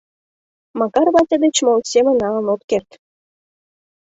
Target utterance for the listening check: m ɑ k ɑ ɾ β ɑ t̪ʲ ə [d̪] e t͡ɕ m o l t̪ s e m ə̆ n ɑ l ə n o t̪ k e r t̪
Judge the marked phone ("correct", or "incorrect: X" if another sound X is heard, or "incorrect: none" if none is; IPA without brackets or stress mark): correct